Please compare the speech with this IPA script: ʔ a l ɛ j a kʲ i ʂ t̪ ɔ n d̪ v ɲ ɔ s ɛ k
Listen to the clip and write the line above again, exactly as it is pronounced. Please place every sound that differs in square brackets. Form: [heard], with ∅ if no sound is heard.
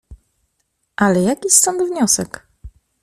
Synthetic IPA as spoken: ʔ a l ɛ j a kʲ i [s] t̪ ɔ n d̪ v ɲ ɔ s ɛ k